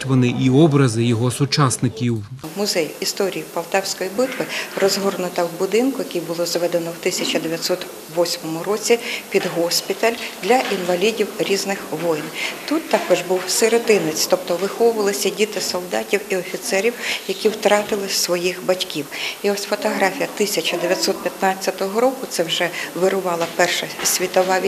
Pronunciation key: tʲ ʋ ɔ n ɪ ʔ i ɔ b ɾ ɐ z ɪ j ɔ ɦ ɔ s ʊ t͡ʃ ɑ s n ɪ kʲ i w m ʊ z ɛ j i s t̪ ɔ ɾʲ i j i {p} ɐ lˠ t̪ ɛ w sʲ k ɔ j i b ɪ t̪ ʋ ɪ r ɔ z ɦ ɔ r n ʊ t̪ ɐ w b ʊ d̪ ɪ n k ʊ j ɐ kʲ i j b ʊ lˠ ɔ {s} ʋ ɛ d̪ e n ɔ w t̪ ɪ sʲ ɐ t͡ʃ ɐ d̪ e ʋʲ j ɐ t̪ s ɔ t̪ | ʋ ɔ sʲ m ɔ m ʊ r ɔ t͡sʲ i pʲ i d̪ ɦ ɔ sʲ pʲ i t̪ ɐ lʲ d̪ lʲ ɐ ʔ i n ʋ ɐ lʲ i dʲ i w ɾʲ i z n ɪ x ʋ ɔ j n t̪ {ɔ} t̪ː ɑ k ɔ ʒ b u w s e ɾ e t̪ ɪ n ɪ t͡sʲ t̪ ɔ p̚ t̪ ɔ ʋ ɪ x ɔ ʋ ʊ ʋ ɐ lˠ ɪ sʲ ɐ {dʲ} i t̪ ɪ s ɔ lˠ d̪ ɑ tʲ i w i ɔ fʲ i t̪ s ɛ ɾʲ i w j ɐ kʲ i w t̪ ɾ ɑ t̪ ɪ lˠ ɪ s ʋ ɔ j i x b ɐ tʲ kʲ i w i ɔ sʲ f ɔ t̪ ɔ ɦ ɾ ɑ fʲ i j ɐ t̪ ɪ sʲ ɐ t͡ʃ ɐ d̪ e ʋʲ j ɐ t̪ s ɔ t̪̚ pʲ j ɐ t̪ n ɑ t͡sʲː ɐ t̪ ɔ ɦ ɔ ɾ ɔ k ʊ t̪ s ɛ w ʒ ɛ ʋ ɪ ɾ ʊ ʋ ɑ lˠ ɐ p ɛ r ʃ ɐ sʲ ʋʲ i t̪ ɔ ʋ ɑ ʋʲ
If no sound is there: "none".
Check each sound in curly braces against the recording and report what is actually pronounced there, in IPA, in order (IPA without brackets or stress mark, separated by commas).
p, z, u, dʲ